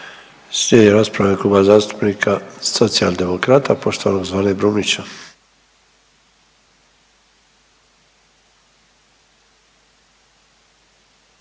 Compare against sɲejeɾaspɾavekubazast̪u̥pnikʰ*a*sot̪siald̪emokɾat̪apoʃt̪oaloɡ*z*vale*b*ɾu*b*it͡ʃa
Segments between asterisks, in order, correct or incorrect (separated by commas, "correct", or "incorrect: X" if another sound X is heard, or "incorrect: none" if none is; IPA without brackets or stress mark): correct, correct, correct, incorrect: m